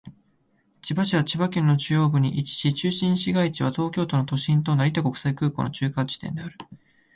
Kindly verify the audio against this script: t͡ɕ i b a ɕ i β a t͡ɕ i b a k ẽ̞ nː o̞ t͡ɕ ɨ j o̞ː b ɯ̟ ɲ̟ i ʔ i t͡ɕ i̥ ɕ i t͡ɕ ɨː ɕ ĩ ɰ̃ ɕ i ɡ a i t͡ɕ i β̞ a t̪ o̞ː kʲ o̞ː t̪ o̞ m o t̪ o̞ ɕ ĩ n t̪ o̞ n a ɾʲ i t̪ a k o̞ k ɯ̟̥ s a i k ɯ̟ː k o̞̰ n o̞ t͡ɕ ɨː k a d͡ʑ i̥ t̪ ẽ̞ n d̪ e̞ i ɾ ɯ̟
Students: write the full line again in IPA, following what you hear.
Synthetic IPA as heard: t͡ɕ i b a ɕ i β a t͡ɕ i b a k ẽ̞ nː o̞ t͡ɕ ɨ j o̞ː b ɯ̟ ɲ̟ i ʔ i t͡ɕ i̥ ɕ i t͡ɕ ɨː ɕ ĩ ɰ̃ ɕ i ɡ a i t͡ɕ i β̞ a t̪ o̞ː kʲ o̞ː t̪ o̞ n o t̪ o̞ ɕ ĩ n t̪ o̞ n a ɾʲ i t̪ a k o̞ k ɯ̟̥ s a i k ɯ̟ː k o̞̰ n o̞ t͡ɕ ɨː k a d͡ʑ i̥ t̪ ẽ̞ n d̪ e̞ a ɾ ɯ̟

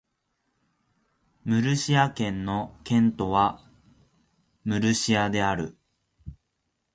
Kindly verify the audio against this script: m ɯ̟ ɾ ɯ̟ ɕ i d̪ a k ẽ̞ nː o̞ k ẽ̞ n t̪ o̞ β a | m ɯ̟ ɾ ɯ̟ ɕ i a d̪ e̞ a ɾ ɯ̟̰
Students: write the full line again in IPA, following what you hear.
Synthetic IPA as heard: m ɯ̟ ɾ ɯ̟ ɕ i a k ẽ̞ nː o̞ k ẽ̞ n t̪ o̞ β a | m ɯ̟ ɾ ɯ̟ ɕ i a d̪ e̞ a ɾ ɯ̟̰

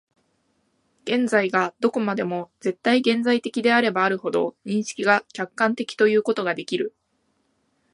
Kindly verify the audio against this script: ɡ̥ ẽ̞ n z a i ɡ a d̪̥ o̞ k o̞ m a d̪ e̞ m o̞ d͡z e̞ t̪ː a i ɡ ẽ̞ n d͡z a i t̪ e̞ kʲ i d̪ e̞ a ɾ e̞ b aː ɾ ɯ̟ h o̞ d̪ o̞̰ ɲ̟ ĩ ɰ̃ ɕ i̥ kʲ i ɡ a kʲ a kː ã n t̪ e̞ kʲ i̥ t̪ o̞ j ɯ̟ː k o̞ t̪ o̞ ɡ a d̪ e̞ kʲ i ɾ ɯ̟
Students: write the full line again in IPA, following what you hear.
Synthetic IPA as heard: ɡ̥ ẽ̞ n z a i ɡ a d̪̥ o̞ k o̞ m a d̪ e̞ m o̞ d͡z e̞ t̪ː a i ɡ ẽ̞ n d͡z a i t̪ e̞ kʲ i d̪ e̞ a ɾ e̞ b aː ɾ ɯ̟ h o̞ d̪ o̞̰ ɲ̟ ĩ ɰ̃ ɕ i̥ kʲ i ɡ a kʲ a kː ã n t̪ e̞ kʲ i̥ t̪ o̞ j ɯ̟ː k o̞ t̪ o̞ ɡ a d̪ e̞ kʲ i ɾ ɯ̟

